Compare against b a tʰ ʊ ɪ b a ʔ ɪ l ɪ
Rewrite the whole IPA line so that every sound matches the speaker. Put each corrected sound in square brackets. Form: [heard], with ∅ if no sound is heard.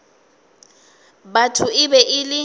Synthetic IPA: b a tʰ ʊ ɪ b [ɛ] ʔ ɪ l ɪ